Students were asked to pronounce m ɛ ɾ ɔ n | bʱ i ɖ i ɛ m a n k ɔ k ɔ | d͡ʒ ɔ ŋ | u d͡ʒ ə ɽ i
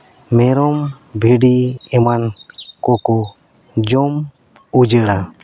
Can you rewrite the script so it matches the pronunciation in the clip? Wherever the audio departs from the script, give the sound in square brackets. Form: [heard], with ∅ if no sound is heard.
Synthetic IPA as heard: m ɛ ɾ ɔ [m] | bʱ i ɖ i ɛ m a n k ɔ k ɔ | d͡ʒ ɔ [m] | u d͡ʒ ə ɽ [a]